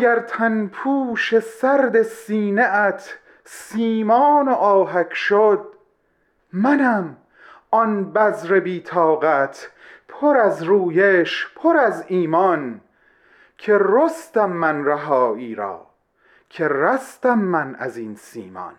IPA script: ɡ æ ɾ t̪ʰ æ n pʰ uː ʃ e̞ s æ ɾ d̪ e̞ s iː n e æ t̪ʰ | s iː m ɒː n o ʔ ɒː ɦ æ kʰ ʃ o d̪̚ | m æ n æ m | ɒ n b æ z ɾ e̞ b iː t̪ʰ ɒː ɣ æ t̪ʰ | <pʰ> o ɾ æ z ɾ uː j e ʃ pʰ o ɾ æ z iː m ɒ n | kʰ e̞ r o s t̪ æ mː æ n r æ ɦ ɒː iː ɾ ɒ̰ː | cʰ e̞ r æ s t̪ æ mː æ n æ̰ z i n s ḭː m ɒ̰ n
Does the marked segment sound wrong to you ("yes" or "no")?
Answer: no